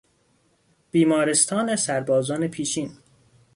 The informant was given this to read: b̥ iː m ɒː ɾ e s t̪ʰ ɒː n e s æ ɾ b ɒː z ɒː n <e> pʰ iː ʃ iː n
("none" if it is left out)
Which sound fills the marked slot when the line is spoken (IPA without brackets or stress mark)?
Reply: e